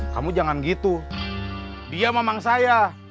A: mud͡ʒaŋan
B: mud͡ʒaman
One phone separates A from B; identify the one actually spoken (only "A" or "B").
A